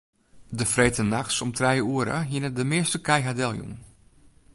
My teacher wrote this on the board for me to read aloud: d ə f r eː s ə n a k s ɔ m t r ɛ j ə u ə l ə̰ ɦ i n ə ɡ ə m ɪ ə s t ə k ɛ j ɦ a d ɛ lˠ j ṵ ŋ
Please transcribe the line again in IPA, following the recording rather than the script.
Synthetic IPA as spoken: d ə f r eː t ə n a x s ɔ m t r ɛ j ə u ə ɾ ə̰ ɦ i n ə d ə m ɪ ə s t ə k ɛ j ɦ a d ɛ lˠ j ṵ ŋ